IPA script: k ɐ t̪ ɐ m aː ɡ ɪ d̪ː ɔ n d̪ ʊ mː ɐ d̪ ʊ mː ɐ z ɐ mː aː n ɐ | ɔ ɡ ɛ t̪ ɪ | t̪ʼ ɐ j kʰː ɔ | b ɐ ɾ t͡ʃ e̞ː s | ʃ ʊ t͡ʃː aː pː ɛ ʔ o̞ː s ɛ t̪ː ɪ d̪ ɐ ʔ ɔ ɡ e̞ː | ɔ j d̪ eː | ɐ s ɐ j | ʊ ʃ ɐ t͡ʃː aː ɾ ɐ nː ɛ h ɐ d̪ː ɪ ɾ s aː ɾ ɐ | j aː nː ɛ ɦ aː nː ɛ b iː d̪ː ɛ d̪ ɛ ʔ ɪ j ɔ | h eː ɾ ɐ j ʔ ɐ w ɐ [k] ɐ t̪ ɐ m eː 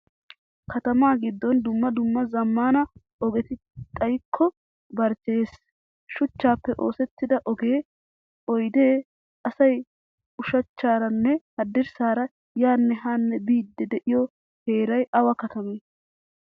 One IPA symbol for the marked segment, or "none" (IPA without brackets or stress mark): k